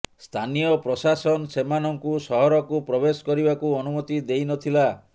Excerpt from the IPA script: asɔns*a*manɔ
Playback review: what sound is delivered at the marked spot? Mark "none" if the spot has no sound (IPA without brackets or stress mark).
e